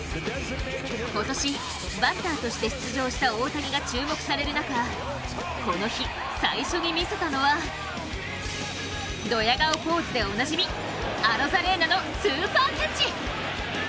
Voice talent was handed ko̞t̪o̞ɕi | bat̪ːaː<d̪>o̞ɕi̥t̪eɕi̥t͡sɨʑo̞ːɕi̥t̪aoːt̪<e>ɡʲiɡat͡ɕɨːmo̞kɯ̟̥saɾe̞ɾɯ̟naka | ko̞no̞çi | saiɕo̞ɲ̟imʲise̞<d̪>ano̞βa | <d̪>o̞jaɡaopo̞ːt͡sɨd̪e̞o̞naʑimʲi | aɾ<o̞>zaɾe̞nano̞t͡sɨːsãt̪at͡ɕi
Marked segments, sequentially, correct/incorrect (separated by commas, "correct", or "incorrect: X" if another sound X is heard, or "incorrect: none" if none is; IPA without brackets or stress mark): incorrect: t̪, incorrect: a, incorrect: t̪, correct, correct